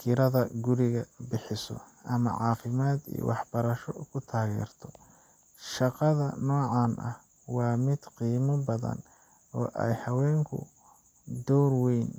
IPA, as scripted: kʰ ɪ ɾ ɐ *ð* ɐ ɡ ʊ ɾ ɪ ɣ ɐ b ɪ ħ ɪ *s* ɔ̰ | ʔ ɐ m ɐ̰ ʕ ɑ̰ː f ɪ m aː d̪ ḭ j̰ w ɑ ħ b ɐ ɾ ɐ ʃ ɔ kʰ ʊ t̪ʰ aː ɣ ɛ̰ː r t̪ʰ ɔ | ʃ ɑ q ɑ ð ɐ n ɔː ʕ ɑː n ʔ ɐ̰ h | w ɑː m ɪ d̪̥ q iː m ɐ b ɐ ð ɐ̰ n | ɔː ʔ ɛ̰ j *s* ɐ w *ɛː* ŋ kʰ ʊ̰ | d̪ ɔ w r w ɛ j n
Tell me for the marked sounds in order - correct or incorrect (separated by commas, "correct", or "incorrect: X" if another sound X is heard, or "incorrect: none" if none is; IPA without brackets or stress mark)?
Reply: correct, correct, incorrect: h, correct